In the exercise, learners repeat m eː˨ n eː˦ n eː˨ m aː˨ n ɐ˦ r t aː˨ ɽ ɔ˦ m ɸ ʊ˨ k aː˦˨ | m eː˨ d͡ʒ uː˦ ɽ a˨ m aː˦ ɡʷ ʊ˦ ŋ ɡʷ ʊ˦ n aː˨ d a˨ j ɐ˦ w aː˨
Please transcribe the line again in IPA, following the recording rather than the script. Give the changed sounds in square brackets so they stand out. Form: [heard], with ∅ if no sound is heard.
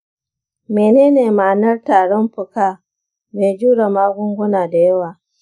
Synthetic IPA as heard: m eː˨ n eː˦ n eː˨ m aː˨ n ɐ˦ r t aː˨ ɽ ɔ˦ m ɸ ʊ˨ k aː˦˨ | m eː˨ d͡ʒ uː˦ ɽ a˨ m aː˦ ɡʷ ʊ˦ ŋ ɡʷ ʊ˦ n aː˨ d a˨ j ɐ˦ w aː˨